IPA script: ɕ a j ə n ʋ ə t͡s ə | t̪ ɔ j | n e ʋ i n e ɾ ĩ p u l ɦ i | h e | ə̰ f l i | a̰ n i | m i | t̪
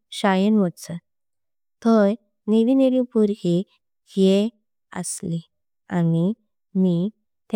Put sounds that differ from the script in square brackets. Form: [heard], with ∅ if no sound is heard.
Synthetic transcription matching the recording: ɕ a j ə n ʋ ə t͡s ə | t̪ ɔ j | n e ʋ i n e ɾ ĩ p u [ɾ] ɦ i | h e | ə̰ [s] l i | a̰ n i | m i | t̪